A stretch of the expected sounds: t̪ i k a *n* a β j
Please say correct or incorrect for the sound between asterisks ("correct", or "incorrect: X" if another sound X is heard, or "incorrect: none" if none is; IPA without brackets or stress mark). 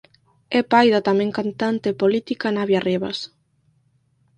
correct